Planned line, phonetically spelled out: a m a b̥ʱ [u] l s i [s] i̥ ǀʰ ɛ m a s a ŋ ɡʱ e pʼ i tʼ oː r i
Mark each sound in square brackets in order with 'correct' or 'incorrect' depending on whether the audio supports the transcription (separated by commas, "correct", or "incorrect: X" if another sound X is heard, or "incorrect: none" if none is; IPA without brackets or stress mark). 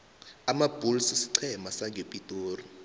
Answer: correct, correct